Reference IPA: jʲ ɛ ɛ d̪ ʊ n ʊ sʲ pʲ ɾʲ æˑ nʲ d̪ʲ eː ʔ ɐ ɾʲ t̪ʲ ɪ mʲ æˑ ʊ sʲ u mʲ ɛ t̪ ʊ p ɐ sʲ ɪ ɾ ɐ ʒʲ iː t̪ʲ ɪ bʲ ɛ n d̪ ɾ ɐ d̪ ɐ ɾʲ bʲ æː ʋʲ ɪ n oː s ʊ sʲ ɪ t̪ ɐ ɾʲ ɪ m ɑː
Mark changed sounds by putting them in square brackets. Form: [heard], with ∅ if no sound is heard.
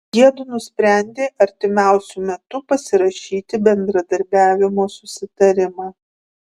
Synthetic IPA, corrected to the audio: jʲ [i] ɛ d̪ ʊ n ʊ sʲ pʲ ɾʲ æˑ nʲ d̪ʲ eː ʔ ɐ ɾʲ t̪ʲ ɪ mʲ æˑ ʊ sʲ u mʲ ɛ t̪ ʊ p ɐ sʲ ɪ ɾ ɐ [ʃʲ] iː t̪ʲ ɪ bʲ ɛ n d̪ ɾ ɐ d̪ ɐ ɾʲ bʲ æː ʋʲ ɪ [m] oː s ʊ sʲ ɪ t̪ ɐ ɾʲ ɪ m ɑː